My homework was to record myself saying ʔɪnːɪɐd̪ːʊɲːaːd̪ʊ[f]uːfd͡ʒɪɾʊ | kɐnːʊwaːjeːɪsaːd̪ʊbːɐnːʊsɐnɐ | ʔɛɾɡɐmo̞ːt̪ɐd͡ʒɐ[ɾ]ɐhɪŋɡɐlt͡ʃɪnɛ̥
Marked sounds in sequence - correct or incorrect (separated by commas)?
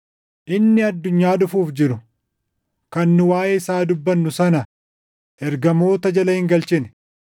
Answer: correct, incorrect